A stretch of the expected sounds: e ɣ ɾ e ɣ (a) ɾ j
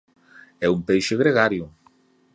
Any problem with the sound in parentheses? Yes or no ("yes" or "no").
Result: no